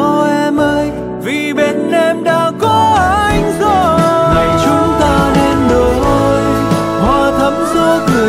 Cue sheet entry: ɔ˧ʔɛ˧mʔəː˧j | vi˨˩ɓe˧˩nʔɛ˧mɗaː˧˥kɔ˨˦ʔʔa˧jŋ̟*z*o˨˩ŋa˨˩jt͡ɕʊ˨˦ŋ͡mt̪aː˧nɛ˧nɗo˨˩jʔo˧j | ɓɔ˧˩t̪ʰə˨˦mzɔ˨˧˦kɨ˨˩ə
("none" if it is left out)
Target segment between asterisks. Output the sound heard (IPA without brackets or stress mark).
z